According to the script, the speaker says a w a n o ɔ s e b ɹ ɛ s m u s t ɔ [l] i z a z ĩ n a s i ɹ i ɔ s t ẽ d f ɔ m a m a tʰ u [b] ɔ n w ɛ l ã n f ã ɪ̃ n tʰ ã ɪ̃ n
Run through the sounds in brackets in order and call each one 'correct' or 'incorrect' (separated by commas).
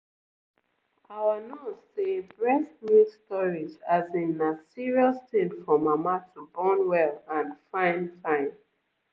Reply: incorrect, correct